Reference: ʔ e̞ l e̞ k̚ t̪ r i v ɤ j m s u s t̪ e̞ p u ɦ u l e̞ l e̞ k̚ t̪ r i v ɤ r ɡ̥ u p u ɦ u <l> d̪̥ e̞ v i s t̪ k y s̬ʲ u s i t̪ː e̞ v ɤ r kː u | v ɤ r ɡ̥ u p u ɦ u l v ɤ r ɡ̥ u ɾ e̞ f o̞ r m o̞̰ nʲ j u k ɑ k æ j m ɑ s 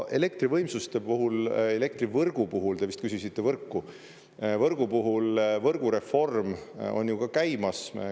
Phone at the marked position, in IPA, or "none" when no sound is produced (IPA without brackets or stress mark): l